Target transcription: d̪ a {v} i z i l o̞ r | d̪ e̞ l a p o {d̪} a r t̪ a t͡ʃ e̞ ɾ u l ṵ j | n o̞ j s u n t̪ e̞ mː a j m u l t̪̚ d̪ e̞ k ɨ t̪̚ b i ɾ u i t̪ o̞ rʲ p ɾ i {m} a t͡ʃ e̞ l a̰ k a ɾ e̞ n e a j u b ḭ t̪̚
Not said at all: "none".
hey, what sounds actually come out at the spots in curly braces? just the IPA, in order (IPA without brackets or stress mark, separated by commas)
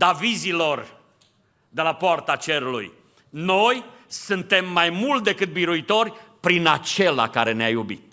v, none, n